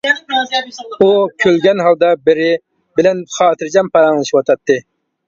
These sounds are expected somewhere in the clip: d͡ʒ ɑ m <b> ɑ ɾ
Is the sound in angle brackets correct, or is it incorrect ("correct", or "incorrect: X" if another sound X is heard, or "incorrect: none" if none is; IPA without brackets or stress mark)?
incorrect: p